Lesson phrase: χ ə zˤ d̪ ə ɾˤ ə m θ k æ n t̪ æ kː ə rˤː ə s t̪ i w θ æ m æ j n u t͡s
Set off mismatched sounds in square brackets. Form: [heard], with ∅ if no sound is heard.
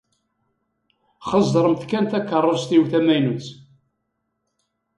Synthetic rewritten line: χ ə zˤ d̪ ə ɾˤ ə m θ k æ n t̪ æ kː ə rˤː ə s t̪ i w θ æ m æ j n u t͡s